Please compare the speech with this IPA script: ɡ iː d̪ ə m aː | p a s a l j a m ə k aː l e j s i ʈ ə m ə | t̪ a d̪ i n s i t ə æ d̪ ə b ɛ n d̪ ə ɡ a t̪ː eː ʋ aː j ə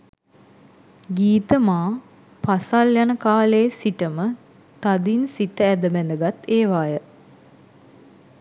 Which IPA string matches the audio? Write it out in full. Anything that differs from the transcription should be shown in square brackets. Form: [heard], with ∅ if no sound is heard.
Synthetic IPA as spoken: ɡ iː [t̪] ə m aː | p a s a l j a [n] ə k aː l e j s i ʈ ə m ə | t̪ a d̪ i n s i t ə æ d̪ ə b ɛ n d̪ ə ɡ a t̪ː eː ʋ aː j ə